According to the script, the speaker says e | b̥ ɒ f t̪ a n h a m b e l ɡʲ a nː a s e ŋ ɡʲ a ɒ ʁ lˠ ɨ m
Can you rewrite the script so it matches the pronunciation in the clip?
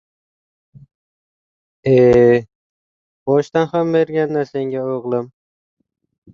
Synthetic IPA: e | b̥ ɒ ʃ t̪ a n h a m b e ɾ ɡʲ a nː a s e ŋ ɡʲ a o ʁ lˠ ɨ m